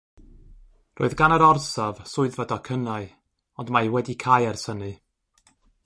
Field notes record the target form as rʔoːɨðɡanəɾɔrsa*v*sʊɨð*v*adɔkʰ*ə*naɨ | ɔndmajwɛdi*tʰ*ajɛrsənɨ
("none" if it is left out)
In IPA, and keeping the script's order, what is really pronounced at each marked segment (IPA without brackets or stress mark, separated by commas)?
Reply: v, v, ə, kʰ